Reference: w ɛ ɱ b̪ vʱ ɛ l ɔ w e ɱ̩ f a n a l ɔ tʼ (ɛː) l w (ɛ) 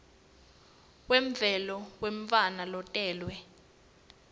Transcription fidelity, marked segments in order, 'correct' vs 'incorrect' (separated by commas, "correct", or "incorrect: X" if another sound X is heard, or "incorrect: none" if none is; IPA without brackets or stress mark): correct, correct